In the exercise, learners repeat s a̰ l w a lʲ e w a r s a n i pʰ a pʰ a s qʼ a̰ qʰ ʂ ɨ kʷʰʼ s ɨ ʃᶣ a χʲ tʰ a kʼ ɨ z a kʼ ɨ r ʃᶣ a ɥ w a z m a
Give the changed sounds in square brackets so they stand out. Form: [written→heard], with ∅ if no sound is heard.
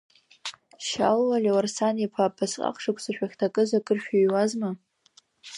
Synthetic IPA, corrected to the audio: [s→ʃ] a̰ l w a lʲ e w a r s a n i pʰ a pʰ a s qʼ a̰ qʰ ʂ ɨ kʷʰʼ s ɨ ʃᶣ a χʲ tʰ a kʼ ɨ z a kʼ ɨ r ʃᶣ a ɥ w a z m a